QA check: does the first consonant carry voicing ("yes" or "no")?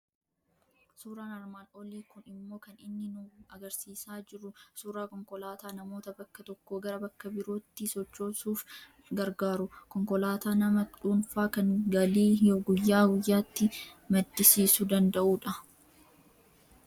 no